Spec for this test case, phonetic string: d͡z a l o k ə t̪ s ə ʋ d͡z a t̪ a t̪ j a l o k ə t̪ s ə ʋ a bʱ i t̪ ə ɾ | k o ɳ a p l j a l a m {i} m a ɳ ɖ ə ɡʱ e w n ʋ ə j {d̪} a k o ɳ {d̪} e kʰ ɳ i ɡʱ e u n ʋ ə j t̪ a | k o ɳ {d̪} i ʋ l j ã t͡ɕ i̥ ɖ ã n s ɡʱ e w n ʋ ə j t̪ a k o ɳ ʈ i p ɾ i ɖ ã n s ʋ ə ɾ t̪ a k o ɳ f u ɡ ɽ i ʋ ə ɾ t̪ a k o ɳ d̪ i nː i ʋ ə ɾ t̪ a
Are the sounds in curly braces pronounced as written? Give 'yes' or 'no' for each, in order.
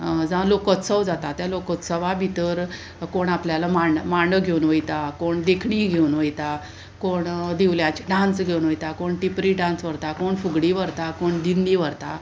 no, no, yes, yes

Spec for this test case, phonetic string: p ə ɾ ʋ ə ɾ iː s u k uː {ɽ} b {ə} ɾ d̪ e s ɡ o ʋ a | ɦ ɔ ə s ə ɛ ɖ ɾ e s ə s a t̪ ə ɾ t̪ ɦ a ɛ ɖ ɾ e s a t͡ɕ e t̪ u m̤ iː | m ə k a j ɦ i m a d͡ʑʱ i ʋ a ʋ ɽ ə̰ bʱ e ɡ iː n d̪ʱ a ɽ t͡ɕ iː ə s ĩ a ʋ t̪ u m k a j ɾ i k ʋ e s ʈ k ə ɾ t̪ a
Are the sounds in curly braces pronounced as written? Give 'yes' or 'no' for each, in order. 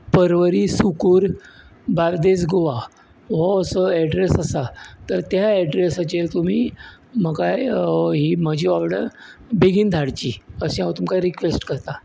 no, no

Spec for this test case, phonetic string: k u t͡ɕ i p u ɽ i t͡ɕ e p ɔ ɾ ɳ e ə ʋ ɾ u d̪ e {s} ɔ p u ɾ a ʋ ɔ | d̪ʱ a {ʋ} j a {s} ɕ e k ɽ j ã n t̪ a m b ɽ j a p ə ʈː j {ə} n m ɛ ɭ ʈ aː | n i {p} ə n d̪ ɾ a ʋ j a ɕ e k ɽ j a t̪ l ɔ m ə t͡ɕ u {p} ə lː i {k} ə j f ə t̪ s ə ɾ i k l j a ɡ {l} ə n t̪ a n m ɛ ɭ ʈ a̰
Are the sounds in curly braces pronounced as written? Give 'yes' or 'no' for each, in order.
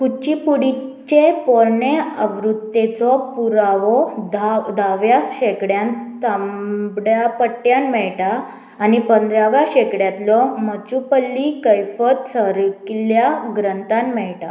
no, yes, yes, no, yes, yes, yes, no

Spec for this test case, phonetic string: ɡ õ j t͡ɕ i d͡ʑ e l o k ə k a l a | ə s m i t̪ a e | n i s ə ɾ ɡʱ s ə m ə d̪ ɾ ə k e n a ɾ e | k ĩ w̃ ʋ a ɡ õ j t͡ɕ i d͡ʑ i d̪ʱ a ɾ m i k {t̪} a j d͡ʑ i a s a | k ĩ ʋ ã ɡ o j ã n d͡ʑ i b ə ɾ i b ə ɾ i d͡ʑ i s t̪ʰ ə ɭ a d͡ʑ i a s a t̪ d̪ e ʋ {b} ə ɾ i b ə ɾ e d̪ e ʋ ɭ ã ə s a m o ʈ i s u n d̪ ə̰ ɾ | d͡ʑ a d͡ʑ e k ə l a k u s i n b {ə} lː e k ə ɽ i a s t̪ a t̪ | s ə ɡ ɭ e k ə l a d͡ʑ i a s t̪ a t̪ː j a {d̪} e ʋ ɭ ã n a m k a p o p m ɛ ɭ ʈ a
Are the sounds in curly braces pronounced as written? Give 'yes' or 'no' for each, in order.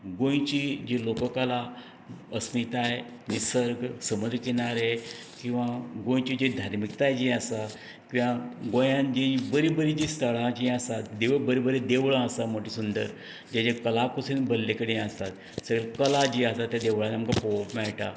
yes, yes, yes, yes

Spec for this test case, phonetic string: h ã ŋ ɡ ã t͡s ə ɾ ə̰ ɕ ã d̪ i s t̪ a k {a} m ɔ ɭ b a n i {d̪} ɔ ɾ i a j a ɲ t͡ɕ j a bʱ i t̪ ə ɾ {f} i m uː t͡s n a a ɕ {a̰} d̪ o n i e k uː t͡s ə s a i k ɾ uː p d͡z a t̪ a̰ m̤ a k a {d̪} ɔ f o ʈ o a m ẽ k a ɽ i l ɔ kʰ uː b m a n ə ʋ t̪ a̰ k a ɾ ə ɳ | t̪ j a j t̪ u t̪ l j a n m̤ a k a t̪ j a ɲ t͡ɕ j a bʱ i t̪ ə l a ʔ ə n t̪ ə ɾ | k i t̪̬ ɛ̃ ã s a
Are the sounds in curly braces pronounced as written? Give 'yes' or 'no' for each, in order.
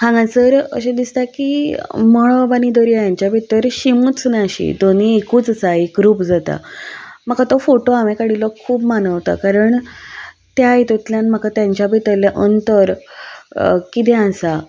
no, yes, no, no, no

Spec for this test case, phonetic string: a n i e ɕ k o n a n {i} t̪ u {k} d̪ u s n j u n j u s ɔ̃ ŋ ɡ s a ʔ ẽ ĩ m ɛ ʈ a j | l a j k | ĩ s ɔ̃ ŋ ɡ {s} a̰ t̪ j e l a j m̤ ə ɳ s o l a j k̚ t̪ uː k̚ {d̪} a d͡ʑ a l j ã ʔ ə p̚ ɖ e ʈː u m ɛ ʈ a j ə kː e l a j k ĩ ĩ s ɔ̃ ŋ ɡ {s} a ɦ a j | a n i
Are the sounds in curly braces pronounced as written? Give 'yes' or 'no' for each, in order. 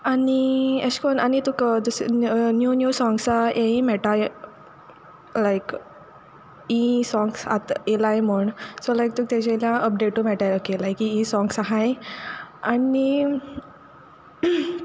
yes, yes, yes, no, yes

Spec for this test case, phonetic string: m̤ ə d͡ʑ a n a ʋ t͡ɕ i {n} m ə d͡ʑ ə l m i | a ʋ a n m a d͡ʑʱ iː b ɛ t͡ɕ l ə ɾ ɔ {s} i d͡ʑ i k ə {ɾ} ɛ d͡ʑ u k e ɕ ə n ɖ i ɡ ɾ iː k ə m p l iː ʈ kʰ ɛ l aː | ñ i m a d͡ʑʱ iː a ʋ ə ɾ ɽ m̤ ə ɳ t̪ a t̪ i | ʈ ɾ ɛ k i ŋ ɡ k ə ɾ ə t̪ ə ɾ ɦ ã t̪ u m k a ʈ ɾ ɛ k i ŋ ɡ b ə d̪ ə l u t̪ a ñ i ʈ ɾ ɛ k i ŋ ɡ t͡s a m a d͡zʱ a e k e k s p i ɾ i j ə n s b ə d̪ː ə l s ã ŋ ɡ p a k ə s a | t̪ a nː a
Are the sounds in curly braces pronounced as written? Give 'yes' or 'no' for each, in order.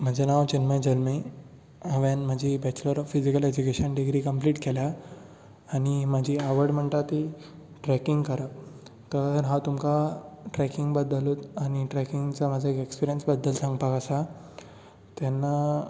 yes, no, no

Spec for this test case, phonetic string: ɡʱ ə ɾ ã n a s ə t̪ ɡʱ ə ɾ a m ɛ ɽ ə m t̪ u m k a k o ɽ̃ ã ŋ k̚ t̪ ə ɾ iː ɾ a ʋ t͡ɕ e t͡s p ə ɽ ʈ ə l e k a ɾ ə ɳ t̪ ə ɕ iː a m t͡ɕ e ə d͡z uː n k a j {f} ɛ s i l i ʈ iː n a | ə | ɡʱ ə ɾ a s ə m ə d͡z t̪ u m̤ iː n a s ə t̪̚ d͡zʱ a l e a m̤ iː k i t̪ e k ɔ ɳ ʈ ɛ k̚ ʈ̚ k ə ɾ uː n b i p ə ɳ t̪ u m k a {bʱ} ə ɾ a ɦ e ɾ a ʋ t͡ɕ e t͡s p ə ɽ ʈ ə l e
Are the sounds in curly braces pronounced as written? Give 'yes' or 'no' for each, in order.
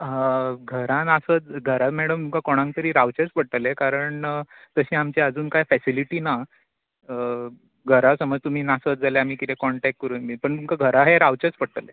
yes, no

